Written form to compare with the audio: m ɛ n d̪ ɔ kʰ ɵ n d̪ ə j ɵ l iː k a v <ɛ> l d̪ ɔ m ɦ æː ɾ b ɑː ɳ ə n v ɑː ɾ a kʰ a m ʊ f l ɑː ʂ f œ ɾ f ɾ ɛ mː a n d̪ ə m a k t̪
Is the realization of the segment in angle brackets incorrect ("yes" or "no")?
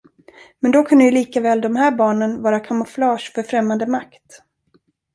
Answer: yes